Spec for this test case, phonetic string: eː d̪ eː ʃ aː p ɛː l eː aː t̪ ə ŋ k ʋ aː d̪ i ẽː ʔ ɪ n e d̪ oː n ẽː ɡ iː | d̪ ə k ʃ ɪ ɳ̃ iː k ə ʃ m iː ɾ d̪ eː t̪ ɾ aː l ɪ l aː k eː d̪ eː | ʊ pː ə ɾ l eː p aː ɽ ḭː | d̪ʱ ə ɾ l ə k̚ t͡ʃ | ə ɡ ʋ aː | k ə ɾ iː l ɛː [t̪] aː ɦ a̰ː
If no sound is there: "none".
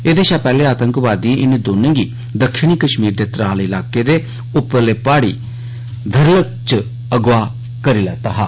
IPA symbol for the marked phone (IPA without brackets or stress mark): t̪